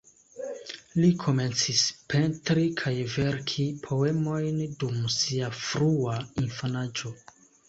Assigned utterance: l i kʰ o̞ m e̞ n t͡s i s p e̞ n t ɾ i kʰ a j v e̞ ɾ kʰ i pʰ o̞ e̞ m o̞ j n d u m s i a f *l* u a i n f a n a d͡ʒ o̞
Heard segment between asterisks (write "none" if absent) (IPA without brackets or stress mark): ɾ